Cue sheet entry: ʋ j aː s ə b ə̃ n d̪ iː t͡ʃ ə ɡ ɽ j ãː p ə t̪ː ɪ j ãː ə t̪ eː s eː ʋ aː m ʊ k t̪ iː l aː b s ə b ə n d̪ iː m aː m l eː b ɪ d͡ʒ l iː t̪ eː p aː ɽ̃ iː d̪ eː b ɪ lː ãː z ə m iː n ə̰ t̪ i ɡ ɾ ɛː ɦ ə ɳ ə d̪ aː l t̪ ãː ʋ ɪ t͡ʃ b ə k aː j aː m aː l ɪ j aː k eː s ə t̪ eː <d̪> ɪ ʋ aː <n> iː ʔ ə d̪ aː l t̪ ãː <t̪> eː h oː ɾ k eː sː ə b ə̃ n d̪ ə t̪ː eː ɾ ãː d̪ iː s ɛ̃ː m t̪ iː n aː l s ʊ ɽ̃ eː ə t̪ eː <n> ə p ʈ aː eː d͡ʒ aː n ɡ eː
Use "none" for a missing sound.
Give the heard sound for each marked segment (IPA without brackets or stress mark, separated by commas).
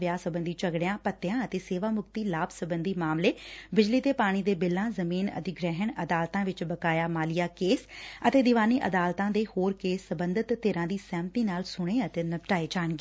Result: d̪, n, d̪, n